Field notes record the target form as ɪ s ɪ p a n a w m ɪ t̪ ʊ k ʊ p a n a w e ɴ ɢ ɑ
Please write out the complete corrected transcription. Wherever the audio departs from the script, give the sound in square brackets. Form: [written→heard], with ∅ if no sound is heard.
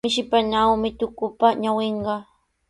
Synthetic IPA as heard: ɪ [s→ʃ] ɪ p a n a w m ɪ t̪ ʊ k ʊ p a [n→ɲ] a w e ɴ ɢ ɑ

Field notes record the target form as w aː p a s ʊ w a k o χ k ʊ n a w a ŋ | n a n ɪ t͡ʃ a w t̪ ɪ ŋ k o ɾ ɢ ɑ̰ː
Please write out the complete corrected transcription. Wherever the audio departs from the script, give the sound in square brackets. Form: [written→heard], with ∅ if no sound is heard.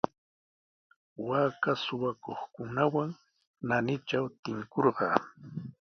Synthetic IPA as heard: w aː [p→k] a s ʊ w a k o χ k ʊ n a w a ŋ | n a n ɪ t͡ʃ a w t̪ ɪ ŋ k o ɾ ɢ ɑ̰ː

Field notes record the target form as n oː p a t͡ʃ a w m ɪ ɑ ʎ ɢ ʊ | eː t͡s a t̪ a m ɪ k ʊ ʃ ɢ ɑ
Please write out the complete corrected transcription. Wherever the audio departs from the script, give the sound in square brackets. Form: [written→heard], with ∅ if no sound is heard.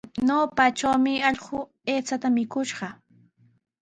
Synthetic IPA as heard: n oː p a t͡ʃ a w m ɪ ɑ ʎ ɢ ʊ | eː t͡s a t̪ a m ɪ k ʊ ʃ ɢ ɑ

